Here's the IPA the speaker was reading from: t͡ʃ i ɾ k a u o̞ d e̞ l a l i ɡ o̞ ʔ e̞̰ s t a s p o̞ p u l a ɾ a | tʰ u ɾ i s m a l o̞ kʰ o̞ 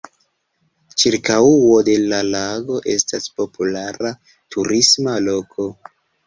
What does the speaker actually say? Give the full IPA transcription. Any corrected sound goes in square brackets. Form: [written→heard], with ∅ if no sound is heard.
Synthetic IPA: t͡ʃ i ɾ k a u o̞ d e̞ l a l [i→a] ɡ o̞ ʔ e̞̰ s t a s p o̞ p u l a ɾ a | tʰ u ɾ i s m a l o̞ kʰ o̞